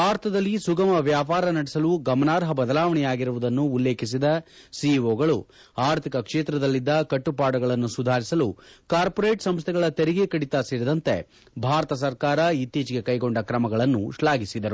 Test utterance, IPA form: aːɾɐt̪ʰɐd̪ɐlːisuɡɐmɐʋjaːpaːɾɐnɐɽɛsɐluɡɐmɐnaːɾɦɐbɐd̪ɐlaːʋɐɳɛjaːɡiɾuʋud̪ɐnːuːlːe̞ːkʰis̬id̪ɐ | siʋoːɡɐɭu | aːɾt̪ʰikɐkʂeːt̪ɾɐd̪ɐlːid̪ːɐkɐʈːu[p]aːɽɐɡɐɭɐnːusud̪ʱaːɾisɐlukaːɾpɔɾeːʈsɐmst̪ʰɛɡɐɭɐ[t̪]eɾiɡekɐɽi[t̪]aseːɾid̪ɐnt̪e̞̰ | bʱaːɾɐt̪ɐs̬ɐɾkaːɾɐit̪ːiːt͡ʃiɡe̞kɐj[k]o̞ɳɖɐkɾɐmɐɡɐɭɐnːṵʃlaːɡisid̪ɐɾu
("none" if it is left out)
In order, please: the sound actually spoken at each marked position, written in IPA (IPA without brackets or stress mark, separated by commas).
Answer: p, t̪, t̪, ɡ